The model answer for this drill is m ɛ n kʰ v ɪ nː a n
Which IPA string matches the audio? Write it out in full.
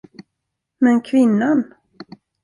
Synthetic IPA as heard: m ɛ n kʰ v ɪ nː a n